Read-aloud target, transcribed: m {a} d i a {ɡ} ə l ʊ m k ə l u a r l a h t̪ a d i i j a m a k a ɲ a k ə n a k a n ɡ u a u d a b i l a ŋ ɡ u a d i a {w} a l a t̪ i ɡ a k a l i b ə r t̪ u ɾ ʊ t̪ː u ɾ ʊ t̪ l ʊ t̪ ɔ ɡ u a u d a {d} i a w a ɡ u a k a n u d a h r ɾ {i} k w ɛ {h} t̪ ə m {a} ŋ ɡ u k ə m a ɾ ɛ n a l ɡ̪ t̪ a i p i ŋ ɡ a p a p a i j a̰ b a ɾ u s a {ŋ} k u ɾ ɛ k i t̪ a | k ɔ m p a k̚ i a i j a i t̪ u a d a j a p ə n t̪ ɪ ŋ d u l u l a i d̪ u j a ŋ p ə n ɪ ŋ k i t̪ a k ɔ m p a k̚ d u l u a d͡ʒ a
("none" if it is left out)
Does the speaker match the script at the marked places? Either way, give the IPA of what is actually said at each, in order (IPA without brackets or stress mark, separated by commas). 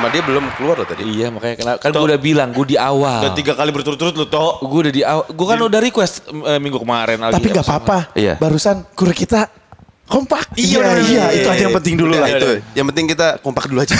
a, b, w, d, i, s, i, n